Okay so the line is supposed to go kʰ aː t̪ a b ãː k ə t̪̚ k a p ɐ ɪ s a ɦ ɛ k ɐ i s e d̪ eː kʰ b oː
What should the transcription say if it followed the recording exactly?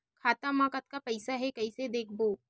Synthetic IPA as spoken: kʰ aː t̪ a m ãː k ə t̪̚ k a p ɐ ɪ s a ɦ ɛ k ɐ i s e d̪ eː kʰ b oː